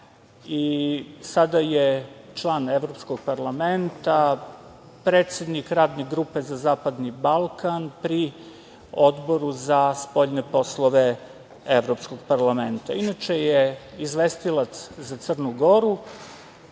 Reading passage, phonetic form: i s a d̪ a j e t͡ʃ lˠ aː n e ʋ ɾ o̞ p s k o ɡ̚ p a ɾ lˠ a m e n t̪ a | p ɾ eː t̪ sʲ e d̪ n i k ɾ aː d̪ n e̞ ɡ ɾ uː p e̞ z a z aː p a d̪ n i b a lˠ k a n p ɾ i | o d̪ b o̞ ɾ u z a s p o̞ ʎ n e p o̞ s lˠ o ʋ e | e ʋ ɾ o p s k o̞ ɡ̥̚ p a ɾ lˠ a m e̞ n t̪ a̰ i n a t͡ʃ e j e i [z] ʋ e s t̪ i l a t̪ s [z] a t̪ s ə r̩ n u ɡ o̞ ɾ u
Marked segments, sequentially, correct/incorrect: correct, correct

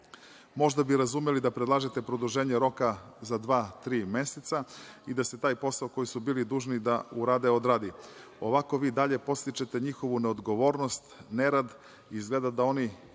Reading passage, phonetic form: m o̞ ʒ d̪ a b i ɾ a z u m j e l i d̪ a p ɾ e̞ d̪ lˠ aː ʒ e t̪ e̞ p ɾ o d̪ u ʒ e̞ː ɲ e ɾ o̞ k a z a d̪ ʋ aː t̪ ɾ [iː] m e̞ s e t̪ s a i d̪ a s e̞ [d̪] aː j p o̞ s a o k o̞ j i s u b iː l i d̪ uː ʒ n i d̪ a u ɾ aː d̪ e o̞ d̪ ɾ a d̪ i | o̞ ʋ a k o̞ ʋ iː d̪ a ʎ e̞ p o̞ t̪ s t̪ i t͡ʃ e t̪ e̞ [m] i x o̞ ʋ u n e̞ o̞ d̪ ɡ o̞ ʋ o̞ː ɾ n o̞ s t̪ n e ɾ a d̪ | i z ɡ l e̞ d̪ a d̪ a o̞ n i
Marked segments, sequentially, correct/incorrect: correct, incorrect: t̪, incorrect: ɲ

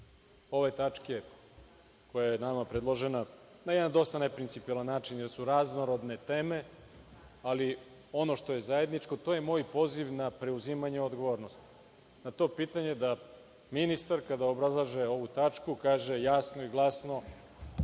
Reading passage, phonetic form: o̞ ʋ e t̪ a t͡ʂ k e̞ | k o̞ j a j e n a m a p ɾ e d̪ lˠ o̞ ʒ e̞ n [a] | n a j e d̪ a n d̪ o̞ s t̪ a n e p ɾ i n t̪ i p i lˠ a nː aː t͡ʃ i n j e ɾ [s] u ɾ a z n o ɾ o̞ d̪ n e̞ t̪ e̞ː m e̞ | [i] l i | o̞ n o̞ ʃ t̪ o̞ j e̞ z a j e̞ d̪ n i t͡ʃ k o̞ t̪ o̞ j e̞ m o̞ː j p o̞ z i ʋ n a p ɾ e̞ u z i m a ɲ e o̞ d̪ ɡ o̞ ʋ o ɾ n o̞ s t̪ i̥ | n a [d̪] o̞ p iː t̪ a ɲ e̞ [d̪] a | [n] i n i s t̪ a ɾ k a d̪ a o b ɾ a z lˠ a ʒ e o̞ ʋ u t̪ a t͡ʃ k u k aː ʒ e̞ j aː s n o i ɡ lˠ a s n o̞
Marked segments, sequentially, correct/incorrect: correct, correct, incorrect: a, incorrect: t̪, correct, incorrect: m

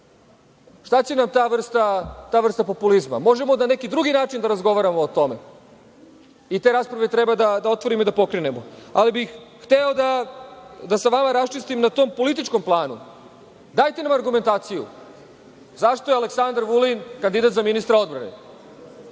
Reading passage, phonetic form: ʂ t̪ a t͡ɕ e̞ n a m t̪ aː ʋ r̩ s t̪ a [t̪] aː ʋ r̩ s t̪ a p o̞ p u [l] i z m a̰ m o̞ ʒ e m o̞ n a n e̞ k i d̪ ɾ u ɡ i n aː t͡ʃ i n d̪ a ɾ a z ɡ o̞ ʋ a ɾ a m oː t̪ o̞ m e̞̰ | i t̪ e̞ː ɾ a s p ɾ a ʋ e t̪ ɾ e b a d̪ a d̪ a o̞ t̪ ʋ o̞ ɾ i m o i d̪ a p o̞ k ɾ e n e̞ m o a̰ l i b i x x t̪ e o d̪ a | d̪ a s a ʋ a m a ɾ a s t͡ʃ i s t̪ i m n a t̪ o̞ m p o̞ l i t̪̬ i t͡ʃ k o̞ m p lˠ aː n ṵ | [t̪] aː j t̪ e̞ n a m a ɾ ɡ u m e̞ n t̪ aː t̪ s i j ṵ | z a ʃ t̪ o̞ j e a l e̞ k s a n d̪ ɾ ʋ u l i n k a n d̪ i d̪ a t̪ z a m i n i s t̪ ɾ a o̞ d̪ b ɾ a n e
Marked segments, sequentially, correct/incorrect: correct, correct, incorrect: d̪

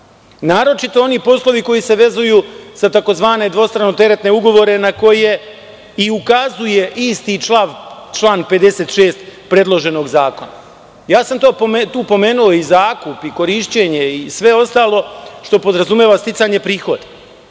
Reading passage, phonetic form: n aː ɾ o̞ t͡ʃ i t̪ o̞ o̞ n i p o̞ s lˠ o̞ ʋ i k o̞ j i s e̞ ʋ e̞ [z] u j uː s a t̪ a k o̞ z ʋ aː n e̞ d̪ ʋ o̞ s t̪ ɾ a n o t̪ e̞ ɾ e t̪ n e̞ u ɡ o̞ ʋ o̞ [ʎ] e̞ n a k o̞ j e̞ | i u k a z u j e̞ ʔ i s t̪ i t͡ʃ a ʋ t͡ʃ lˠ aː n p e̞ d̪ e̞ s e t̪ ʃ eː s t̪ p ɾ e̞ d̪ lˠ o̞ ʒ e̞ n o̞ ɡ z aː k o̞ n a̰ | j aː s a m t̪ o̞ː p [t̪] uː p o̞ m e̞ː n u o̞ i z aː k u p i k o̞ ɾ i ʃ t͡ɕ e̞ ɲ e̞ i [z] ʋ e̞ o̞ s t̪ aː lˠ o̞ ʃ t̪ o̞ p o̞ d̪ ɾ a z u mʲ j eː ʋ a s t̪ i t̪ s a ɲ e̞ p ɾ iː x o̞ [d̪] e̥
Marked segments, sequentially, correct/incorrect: correct, incorrect: ɾ, correct, incorrect: s, correct

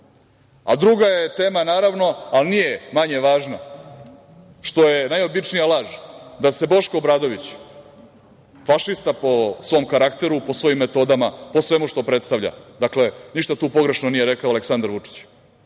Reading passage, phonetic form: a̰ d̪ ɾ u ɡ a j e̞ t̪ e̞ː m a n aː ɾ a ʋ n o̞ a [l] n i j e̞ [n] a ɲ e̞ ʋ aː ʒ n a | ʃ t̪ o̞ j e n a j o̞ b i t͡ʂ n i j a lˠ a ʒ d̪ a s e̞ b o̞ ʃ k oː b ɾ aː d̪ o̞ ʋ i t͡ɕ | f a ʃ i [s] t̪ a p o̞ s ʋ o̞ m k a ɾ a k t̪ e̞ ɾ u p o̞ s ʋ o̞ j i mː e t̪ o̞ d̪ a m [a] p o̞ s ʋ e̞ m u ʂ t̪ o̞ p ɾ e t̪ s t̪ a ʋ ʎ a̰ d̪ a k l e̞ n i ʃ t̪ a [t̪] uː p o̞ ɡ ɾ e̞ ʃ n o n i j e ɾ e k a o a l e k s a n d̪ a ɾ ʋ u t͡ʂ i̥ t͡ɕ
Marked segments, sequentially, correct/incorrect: correct, incorrect: m, correct, correct, correct

